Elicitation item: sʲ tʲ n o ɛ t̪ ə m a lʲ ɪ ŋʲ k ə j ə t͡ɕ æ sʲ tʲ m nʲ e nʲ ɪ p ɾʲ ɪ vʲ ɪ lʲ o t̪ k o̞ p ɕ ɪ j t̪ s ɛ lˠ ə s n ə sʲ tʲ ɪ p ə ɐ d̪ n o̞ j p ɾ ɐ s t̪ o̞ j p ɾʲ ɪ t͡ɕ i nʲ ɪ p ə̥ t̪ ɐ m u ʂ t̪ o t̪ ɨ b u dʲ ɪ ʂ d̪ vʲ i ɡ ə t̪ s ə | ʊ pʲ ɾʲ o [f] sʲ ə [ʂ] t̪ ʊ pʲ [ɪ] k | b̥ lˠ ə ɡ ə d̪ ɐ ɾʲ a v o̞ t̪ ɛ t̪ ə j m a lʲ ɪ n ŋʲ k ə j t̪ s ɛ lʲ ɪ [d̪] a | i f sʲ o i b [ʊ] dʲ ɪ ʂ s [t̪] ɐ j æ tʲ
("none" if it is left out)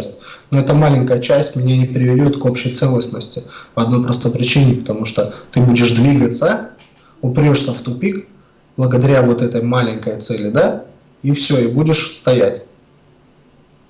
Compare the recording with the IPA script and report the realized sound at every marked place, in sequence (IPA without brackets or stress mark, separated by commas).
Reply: ʂ, f, i, d̪, u, t̪